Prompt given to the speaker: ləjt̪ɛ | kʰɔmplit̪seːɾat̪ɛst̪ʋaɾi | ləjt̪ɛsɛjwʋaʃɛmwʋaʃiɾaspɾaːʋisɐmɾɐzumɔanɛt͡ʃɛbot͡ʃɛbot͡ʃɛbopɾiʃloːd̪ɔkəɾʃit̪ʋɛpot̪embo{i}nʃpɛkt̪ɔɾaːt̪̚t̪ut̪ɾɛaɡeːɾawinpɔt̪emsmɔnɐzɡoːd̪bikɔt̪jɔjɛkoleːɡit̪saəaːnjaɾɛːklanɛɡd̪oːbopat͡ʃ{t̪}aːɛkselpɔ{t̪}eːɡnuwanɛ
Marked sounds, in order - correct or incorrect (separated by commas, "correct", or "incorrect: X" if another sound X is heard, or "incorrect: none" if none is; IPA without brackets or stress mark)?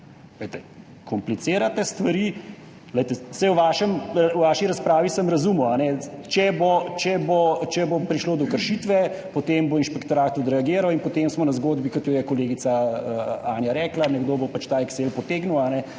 correct, correct, correct